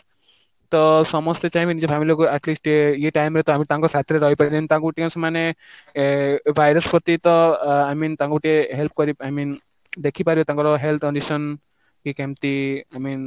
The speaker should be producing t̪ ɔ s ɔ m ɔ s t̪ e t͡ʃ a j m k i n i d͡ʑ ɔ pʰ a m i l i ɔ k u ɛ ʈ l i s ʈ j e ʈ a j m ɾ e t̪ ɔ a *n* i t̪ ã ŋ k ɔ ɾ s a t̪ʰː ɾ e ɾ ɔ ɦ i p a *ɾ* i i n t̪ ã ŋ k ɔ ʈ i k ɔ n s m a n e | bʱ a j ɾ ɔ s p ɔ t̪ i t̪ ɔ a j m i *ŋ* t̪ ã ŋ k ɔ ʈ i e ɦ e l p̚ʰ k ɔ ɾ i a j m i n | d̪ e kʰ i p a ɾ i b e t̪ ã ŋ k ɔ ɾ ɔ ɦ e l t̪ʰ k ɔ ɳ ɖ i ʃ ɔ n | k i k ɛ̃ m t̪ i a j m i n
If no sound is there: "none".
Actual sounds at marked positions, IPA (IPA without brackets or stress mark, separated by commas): m, ɾ, n